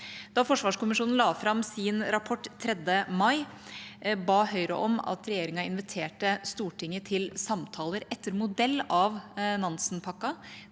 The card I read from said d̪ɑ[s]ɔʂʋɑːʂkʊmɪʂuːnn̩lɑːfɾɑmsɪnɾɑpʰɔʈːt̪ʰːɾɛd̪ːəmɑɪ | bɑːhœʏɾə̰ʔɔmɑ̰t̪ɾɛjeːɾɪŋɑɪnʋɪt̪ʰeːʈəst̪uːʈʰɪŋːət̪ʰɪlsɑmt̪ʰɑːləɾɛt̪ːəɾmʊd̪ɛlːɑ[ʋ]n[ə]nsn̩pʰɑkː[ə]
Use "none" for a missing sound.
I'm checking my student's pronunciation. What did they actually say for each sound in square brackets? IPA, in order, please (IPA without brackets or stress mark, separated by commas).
f, ʋ, ɑ, ɑ